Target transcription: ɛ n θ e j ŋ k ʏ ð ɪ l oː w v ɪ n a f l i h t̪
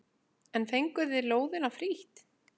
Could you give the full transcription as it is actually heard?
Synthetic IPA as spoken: ɛ n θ e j ŋ k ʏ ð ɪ l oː w ð ɪ n a f ɾ i h t̪